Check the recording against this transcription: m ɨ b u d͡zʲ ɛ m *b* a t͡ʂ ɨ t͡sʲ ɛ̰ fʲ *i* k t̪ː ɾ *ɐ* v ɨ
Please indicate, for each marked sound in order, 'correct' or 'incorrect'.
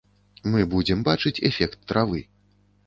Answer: correct, incorrect: ɛ, incorrect: a

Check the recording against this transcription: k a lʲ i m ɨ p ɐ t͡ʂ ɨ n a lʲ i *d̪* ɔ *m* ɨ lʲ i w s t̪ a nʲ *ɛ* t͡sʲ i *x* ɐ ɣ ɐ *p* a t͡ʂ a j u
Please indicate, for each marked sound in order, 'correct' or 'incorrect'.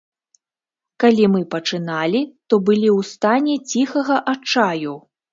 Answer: incorrect: t̪, incorrect: b, correct, correct, incorrect: ʔ

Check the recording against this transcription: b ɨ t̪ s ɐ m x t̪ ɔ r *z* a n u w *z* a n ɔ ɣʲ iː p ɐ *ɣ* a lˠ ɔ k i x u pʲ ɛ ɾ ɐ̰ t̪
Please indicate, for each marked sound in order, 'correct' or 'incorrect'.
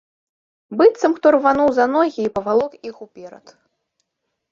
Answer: incorrect: v, correct, incorrect: v

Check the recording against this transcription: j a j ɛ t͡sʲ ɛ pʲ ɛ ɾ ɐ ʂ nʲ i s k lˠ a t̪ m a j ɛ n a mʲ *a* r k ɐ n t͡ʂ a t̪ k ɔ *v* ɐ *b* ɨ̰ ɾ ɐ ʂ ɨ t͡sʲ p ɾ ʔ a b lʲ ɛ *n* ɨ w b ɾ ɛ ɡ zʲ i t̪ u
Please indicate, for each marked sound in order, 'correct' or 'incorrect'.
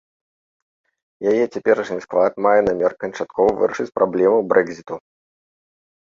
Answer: incorrect: ɛ, correct, incorrect: v, incorrect: m

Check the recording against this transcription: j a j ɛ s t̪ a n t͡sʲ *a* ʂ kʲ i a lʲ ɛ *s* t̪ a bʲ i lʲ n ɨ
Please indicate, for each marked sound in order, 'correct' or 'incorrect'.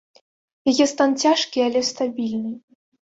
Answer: correct, correct

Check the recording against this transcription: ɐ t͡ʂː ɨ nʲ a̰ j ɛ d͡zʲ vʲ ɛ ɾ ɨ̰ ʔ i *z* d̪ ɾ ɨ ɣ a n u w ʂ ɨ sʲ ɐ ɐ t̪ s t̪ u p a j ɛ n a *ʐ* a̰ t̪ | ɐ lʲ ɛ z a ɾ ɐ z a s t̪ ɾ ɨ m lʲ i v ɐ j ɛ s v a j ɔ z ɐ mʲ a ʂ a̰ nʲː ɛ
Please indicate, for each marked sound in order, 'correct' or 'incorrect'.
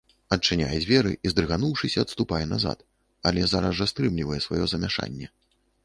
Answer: correct, incorrect: z

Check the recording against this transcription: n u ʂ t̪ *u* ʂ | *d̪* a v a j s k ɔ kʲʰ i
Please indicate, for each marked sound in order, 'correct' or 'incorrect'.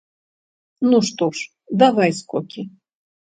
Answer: incorrect: ɔ, correct

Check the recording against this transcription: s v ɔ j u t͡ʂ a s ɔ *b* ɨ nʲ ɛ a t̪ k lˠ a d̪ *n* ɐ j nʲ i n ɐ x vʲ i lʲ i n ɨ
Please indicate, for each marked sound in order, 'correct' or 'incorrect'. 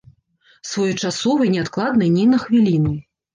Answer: incorrect: v, correct

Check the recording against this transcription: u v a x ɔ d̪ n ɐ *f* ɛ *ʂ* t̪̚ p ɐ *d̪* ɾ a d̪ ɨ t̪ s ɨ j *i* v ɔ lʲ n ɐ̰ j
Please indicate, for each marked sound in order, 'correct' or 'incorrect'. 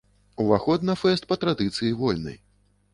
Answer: correct, incorrect: s, incorrect: t̪, correct

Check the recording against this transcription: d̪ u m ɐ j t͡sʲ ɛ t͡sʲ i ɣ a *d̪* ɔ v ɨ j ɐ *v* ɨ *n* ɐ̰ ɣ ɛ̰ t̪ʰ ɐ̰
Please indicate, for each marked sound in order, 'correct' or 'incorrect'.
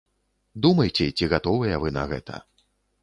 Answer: incorrect: t̪, correct, correct

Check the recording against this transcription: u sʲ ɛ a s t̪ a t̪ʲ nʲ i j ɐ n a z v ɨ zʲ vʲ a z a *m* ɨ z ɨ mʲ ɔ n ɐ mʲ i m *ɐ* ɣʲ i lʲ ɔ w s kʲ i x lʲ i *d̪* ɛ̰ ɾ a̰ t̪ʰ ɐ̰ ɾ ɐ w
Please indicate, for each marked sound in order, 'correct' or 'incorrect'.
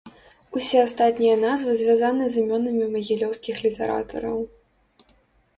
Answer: incorrect: n, correct, incorrect: t̪

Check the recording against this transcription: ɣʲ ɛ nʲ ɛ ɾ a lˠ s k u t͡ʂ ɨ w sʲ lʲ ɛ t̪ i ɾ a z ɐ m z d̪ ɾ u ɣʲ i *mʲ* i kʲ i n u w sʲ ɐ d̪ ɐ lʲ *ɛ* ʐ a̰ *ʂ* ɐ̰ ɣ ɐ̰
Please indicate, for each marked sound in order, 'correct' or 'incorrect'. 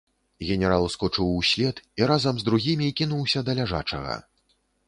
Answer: correct, incorrect: a, incorrect: t͡ʂ

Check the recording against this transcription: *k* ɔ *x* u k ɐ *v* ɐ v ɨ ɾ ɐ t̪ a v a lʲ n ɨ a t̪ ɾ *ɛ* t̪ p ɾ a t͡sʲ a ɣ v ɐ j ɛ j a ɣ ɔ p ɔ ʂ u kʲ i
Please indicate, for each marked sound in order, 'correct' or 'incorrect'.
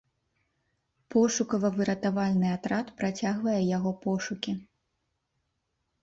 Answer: incorrect: p, incorrect: ʂ, correct, incorrect: a

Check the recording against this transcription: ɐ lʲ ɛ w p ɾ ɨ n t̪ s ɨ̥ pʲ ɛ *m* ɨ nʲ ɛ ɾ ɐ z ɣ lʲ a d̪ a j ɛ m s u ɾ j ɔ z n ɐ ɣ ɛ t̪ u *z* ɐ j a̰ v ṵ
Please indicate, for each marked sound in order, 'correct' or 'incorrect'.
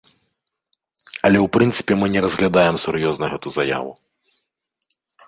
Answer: correct, correct

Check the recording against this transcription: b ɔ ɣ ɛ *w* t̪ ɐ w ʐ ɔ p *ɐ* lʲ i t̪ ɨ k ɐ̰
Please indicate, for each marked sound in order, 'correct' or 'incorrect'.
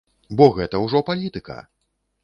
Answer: incorrect: none, incorrect: a

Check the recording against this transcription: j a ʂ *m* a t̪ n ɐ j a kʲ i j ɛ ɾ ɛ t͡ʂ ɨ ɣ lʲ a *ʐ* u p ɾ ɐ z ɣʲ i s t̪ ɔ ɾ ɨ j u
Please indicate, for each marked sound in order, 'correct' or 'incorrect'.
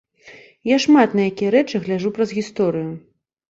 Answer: correct, correct

